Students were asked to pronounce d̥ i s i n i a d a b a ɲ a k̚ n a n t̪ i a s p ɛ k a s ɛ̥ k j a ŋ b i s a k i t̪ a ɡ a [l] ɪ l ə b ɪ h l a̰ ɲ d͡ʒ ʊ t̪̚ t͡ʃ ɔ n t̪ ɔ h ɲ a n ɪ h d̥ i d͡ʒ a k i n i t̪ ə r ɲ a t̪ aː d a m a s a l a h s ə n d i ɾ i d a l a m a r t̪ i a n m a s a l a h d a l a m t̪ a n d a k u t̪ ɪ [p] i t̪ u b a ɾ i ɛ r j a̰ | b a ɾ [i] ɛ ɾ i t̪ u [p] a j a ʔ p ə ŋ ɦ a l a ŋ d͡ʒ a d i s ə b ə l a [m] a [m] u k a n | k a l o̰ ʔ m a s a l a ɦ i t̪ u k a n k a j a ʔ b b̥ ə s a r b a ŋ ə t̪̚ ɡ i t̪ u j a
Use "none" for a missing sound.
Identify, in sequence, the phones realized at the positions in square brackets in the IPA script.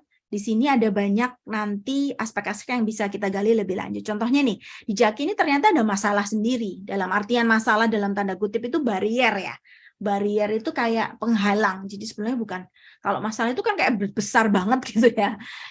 l, p, i, k, ɲ, b

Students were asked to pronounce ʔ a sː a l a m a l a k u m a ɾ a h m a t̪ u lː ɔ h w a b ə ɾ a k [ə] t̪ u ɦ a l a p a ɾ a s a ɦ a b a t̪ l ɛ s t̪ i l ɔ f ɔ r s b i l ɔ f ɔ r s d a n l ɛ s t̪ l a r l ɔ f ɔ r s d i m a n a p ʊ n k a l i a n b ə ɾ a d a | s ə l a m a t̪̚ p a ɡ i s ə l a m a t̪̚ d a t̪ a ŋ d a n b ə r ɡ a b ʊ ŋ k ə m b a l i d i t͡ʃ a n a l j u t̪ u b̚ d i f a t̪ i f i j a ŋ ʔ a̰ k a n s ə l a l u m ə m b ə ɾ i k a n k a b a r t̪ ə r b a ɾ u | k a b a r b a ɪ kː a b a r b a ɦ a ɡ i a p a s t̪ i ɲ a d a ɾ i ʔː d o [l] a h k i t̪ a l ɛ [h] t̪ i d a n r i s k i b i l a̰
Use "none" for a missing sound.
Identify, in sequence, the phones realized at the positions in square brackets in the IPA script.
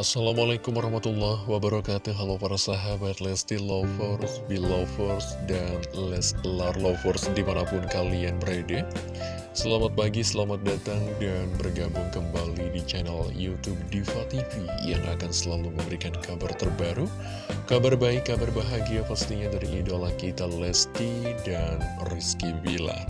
a, l, s

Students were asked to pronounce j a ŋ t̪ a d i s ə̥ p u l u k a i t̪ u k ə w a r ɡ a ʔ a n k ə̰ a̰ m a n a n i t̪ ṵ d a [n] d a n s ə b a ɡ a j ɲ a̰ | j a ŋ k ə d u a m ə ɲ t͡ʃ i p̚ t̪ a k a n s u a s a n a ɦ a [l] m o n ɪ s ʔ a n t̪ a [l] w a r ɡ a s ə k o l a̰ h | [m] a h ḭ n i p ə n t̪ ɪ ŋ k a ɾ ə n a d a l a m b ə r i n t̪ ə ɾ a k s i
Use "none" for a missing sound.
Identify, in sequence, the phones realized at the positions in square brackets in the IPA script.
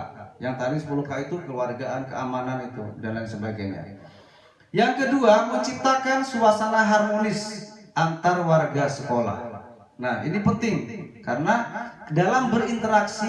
n, r, r, n

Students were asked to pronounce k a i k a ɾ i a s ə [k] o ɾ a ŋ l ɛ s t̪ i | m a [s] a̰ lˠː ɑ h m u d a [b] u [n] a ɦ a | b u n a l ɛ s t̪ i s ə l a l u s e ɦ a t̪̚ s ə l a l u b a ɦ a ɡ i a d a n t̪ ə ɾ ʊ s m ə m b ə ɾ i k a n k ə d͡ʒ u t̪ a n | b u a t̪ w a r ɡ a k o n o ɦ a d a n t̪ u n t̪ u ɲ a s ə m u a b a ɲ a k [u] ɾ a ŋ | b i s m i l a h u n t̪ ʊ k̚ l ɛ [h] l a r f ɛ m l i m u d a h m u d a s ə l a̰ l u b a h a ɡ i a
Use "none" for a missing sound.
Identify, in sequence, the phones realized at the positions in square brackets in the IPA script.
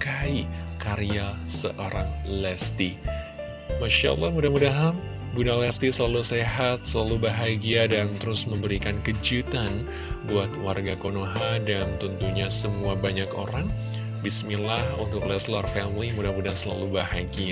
ʔ, ʃ, m, d, o, s

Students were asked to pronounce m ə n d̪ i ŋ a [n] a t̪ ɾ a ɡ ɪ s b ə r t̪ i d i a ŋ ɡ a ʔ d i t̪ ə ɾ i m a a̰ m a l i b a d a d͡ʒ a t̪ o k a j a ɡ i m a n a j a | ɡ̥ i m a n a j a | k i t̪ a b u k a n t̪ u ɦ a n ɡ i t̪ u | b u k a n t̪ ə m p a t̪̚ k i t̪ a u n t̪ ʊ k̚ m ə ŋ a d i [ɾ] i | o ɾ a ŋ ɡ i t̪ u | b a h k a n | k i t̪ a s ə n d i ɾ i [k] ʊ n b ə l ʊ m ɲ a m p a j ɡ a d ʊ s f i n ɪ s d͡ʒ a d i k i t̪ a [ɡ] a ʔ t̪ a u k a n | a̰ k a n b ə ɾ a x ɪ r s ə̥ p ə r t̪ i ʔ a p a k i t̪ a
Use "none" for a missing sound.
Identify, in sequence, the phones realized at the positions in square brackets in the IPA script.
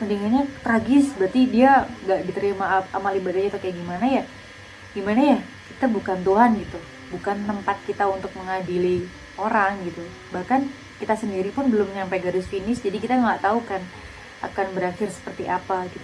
ɲ, l, p, ŋ

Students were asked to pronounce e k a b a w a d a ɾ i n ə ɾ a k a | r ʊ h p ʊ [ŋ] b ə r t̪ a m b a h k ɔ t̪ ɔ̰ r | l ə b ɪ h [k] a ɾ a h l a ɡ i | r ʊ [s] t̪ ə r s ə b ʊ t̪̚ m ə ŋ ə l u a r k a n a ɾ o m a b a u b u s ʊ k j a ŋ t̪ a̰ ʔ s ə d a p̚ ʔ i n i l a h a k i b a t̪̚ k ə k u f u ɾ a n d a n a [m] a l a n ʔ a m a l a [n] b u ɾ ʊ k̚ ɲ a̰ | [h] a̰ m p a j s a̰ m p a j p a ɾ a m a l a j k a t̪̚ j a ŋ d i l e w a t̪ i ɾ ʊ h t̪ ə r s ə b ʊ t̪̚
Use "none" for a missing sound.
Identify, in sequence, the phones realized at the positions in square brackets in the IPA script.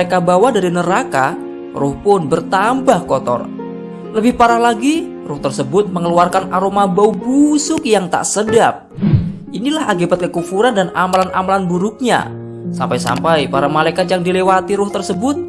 n, p, h, m, n, s

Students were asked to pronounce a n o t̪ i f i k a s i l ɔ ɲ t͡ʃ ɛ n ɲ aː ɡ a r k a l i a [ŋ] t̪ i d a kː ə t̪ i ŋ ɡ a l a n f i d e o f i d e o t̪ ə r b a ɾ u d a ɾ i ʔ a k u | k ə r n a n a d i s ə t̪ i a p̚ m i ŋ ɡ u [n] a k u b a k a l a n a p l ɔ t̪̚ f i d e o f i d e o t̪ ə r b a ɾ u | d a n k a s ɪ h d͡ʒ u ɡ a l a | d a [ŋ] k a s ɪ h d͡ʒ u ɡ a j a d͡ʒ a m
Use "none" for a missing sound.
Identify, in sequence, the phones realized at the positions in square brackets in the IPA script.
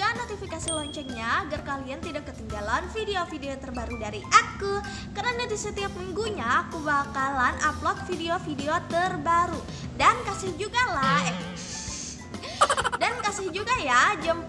n, ɲ, n

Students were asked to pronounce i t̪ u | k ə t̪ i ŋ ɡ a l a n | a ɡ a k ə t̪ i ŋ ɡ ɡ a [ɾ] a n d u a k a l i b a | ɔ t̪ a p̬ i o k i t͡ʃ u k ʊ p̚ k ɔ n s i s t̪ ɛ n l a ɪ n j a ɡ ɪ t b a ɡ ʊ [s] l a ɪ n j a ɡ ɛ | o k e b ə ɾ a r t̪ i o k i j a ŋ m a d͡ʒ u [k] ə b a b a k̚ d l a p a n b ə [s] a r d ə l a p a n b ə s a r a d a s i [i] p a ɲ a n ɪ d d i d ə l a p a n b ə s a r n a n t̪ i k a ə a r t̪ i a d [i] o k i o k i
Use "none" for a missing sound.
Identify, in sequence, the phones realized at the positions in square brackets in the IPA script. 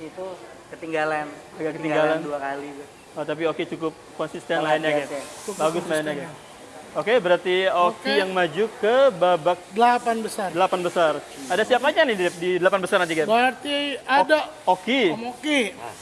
l, s, k, s, a, a

